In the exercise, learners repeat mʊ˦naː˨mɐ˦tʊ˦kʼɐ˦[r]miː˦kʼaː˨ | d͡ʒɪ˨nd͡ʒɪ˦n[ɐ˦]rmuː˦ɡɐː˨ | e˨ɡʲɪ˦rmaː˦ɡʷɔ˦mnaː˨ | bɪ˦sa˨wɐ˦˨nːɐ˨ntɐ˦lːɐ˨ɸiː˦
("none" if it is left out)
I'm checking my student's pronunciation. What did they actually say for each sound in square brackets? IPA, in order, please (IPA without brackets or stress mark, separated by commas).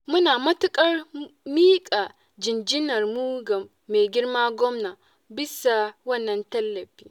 r, ɐ˨